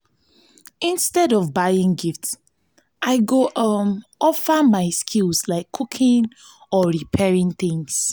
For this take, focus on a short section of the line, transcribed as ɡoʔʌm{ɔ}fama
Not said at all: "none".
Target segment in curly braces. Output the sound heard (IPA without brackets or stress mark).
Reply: ɔ